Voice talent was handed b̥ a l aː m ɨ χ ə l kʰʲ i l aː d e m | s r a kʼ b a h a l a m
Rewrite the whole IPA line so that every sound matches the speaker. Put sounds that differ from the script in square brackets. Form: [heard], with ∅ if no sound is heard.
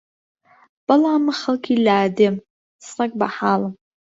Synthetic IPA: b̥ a l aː m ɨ χ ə l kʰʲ i l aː d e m | s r a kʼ b a [ħ] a l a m